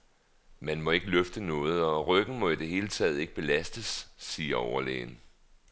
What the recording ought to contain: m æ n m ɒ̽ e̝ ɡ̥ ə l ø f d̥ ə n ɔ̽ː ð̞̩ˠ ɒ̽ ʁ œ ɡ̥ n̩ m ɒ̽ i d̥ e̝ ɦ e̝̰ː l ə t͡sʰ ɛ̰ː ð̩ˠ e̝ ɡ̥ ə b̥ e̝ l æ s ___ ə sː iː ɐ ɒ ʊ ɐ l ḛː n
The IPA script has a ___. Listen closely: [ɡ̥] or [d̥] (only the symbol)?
d̥